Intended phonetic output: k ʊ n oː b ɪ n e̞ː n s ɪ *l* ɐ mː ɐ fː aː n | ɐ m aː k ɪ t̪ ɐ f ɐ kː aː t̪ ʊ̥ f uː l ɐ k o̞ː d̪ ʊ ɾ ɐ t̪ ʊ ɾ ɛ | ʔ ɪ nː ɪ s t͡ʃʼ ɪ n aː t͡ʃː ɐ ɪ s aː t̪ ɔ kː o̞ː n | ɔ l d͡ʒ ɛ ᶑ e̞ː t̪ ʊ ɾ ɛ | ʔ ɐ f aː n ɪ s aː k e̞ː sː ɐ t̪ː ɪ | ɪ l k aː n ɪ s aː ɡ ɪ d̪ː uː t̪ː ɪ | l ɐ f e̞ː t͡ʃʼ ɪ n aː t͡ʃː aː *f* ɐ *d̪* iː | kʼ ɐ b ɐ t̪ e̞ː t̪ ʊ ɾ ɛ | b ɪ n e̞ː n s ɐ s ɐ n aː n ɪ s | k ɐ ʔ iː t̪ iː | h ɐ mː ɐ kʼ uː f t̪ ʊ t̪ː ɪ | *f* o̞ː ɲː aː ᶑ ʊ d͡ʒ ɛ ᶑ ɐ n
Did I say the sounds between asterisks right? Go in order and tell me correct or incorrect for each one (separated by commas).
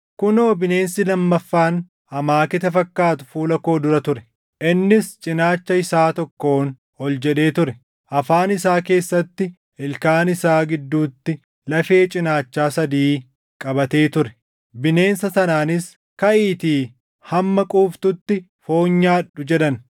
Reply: correct, incorrect, correct, correct